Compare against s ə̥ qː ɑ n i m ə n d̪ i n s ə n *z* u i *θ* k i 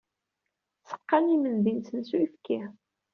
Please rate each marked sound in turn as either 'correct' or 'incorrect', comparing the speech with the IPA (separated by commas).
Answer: incorrect, incorrect